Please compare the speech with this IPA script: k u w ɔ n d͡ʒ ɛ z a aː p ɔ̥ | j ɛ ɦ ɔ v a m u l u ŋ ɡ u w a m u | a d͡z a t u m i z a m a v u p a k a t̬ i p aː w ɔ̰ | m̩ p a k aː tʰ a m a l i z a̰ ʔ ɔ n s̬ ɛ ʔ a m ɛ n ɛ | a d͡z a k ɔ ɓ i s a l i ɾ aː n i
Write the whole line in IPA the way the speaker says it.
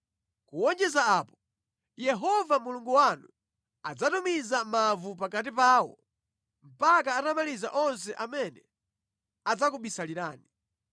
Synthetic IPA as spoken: k u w ɔ n d͡ʒ ɛ z a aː p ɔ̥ | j ɛ ɦ ɔ v a m u l u ŋ ɡ u w a n u | a d͡z a t u m i z a m a v u p a k a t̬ i p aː w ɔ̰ | m̩ p a k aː t a m a l i z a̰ ʔ ɔ n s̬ ɛ ʔ a m ɛ n ɛ | a d͡z a k u ɓ i s a l i ɾ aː n i